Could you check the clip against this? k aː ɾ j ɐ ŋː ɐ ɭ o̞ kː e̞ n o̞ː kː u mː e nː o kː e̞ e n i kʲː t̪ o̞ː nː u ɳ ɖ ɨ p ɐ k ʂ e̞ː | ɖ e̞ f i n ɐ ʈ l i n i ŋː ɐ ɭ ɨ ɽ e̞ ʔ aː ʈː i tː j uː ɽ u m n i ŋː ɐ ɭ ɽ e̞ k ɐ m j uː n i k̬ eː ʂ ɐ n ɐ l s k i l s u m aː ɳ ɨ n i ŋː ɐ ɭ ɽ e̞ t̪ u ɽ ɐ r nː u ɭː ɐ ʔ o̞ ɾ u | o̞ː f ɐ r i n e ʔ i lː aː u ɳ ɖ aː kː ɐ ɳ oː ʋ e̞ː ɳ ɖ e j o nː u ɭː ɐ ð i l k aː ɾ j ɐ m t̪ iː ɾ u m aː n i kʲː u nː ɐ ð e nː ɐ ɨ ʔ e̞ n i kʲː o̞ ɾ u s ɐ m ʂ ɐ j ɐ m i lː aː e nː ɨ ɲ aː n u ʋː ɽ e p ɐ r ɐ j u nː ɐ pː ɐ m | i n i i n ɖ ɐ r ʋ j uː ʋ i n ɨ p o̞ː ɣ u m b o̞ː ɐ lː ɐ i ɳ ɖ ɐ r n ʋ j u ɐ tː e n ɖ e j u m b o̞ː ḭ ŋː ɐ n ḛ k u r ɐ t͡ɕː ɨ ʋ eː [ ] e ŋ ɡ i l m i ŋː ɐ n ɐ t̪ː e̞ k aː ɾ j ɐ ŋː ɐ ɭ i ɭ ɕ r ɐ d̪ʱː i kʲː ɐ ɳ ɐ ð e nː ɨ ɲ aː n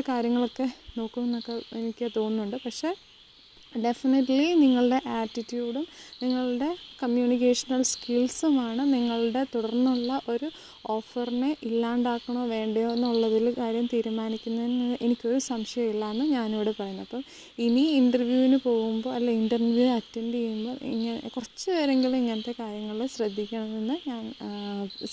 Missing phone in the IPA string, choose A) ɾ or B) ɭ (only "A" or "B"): A